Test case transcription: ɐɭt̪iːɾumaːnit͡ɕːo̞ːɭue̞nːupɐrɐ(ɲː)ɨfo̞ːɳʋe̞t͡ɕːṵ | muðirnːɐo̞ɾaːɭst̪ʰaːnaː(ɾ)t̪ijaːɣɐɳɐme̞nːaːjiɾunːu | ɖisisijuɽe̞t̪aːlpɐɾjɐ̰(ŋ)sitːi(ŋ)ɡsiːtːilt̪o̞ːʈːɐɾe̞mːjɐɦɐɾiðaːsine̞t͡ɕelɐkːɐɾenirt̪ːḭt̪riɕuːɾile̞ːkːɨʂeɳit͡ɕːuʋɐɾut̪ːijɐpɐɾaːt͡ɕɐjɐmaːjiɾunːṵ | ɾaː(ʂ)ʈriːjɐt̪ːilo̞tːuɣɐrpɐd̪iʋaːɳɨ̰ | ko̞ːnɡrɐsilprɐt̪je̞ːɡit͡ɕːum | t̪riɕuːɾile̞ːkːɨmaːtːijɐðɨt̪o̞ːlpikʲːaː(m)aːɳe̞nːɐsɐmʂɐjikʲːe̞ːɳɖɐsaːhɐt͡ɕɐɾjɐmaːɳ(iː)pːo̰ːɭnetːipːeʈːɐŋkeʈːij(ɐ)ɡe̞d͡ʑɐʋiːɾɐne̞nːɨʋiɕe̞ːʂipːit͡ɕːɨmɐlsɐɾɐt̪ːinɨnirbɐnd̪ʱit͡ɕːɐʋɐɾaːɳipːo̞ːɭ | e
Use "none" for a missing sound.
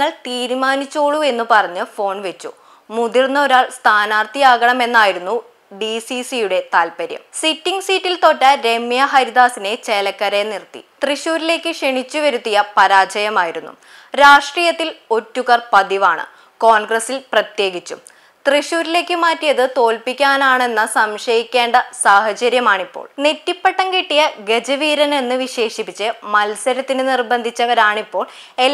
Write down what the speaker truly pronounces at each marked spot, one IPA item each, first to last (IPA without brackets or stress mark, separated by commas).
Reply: ɲː, r, m, ŋ, ʂ, n, i, ɐ